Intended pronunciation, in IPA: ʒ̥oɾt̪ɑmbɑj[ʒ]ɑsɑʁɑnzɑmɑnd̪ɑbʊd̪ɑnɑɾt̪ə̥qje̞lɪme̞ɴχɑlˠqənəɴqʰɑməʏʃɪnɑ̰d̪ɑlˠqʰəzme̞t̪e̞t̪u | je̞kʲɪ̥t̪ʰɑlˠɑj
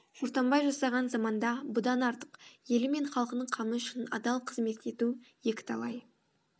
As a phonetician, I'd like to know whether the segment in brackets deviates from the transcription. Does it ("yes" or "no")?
no